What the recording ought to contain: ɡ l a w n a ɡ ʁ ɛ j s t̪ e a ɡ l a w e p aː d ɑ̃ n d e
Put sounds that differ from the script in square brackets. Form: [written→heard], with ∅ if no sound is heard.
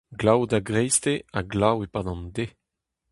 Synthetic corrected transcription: ɡ l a w [n→d] a ɡ ʁ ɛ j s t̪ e a ɡ l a w e p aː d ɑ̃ n d e